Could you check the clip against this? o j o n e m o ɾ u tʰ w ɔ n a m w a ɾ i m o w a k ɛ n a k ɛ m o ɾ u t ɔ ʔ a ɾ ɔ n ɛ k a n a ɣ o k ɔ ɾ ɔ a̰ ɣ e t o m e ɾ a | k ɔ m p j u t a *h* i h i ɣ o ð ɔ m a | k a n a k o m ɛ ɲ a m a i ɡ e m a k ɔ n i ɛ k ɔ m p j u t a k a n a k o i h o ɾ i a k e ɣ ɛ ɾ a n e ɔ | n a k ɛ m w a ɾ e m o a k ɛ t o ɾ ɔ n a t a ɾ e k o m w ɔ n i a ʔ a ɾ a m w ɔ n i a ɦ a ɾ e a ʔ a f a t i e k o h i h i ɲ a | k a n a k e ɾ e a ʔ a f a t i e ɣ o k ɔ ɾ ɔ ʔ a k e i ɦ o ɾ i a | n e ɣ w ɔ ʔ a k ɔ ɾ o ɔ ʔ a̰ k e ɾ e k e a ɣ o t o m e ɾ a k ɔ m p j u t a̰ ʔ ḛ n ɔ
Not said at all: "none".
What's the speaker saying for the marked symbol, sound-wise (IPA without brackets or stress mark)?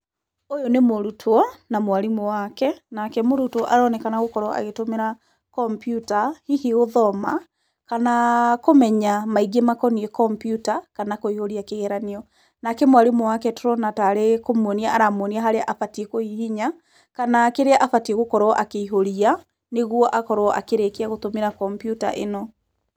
h